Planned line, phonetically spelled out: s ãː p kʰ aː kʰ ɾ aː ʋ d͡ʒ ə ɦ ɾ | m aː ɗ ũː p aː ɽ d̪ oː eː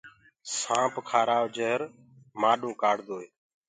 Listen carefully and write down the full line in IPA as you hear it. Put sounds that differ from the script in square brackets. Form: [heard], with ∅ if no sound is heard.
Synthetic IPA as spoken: s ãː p kʰ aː [∅] ɾ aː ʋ d͡ʒ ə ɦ ɾ | m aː ɗ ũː [k] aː ɽ d̪ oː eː

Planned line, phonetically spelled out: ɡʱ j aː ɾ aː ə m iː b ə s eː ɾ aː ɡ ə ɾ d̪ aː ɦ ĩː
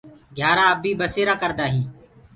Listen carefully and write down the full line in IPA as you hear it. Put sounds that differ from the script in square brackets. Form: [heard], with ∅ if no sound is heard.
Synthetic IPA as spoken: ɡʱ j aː ɾ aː ə [b] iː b ə s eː ɾ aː [k] ə ɾ d̪ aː ɦ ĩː

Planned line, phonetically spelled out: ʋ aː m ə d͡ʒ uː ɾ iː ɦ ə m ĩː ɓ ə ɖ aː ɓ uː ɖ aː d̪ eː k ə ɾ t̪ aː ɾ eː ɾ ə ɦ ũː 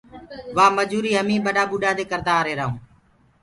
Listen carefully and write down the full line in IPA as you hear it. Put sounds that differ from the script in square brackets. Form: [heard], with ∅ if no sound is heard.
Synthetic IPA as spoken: ʋ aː m ə d͡ʒ uː ɾ iː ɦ ə m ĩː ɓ ə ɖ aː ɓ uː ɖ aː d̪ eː k ə ɾ [d̪] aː ɾ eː ɾ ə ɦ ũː

